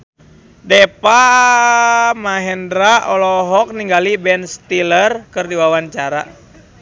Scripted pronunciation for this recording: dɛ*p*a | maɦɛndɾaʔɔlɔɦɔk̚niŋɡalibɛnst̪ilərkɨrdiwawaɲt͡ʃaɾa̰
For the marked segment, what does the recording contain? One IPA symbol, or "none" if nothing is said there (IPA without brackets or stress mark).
p